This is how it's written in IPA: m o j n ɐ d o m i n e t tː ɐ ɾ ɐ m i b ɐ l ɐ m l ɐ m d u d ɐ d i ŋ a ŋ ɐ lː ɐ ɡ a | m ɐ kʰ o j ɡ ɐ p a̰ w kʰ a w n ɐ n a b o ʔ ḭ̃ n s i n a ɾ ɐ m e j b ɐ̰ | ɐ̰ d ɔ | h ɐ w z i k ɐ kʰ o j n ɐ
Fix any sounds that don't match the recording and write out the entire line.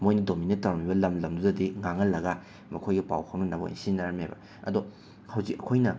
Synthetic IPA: m o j n ɐ d o m i n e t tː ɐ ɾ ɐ m i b ɐ l ɐ m l ɐ m d u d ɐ d i ŋ a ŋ ɐ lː ɐ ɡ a | m ɐ kʰ o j ɡ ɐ p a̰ w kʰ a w n ɐ n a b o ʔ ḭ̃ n s i n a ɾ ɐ m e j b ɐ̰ | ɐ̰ d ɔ | h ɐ w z i k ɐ kʰ o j n ɐ